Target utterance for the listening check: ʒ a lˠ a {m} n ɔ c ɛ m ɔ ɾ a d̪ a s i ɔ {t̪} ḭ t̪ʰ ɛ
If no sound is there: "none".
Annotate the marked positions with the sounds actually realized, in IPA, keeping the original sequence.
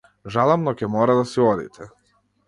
m, d̪

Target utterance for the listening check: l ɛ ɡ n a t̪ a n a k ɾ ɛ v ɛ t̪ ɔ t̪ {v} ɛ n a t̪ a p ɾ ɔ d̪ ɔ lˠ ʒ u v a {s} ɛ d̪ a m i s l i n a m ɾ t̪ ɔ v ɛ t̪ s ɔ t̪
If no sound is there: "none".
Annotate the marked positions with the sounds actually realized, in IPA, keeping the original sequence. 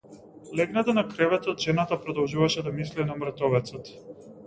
ʒ, ʃ

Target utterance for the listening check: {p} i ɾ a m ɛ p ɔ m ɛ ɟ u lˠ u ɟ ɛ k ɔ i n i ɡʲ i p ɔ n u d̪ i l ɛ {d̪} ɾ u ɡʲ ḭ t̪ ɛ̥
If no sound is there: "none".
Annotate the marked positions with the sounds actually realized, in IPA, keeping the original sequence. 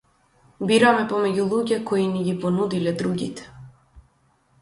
b, d̪

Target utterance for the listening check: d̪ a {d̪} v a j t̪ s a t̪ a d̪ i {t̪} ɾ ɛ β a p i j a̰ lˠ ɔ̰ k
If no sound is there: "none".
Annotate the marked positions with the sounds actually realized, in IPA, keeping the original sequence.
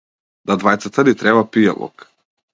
d̪, t̪

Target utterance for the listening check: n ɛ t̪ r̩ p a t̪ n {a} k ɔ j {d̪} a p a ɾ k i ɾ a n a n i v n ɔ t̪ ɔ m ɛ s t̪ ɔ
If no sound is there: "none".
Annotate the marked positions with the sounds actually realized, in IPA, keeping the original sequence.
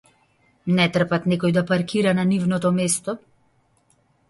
ɛ, d̪

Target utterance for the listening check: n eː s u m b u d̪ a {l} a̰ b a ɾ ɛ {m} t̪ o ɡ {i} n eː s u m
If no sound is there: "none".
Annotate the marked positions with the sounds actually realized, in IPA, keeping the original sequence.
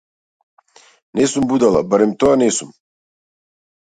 l, m, a

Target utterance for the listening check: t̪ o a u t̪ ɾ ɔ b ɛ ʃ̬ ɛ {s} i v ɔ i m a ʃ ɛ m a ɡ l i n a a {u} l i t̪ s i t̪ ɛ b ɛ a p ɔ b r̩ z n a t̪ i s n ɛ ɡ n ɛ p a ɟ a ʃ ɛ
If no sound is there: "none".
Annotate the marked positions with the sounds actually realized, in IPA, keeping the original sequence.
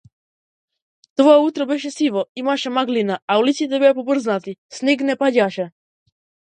s, u

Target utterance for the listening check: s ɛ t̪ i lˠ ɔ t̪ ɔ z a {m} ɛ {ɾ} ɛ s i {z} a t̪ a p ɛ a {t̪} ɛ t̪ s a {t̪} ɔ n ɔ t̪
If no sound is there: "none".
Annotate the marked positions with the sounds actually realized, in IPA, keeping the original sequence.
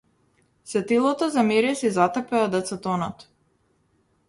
m, ɾ, z, d̪, t̪

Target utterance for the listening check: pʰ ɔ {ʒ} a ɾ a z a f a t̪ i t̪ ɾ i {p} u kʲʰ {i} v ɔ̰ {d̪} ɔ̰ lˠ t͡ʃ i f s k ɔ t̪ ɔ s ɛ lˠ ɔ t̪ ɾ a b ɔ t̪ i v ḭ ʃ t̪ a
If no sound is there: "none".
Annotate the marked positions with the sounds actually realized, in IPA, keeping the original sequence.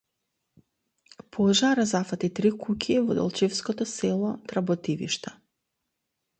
ʒ, k, i, d̪

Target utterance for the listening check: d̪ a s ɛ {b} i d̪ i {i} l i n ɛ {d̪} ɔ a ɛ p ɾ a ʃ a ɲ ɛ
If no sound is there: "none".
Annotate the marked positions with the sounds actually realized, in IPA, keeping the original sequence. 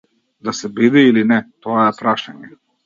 b, i, t̪

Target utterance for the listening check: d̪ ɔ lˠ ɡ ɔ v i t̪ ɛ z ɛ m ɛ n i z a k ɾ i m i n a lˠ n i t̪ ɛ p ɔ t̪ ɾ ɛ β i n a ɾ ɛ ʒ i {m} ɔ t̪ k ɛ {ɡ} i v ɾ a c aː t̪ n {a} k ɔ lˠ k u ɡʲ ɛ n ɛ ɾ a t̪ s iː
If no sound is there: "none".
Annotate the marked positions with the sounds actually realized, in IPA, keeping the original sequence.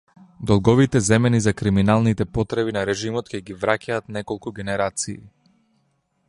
m, ɡ, ɛ

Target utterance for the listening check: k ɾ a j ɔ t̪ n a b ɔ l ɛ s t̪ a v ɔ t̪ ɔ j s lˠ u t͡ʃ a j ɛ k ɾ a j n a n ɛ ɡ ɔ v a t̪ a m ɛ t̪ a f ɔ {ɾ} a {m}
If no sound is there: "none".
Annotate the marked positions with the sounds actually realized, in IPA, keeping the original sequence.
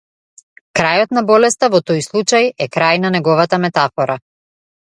ɾ, none

